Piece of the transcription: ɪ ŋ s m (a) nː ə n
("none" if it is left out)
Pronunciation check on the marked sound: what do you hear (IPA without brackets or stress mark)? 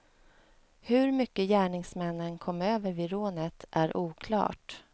ɛ